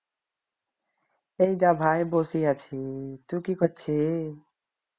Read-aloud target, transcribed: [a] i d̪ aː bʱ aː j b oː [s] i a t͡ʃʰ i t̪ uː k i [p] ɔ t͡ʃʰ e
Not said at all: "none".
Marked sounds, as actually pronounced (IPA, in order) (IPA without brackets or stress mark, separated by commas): e, s, k